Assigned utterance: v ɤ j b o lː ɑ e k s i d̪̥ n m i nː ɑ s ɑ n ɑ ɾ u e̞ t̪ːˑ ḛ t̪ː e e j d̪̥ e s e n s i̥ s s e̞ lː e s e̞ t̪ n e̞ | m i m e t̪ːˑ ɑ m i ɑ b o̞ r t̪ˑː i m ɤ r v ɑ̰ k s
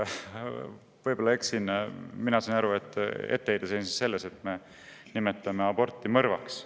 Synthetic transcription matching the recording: v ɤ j b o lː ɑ e k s i n m i n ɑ s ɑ n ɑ ɾ u e̞ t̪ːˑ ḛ t̪ː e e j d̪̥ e s e n s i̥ s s e̞ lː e s e̞ t̪ m e̞ | n i m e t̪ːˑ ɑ m e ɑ b o̞ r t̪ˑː i m ɤ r v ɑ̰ k s